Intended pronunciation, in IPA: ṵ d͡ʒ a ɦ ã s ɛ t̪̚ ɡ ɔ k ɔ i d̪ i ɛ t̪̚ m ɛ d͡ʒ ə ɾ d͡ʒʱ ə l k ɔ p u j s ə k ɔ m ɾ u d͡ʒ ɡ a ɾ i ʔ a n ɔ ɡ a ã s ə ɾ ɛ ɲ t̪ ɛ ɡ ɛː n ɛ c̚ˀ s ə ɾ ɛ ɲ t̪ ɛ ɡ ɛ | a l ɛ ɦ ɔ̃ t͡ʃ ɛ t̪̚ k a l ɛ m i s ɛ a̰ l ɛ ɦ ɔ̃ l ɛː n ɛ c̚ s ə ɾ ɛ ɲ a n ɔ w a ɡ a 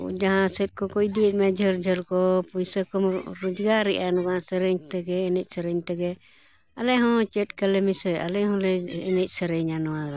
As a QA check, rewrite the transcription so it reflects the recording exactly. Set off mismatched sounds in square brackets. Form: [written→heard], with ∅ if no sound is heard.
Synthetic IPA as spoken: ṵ d͡ʒ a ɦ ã s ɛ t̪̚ [ɡ→k] ɔ k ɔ i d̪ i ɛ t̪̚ m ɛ d͡ʒ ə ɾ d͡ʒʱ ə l k ɔ p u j s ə k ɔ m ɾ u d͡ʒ ɡ a ɾ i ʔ a n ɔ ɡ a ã s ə ɾ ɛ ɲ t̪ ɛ ɡ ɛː n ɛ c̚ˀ s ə ɾ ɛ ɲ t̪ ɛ ɡ ɛ | a l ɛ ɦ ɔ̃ t͡ʃ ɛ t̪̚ k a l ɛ m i s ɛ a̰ l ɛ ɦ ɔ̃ l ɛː n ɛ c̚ s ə ɾ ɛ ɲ a n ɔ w a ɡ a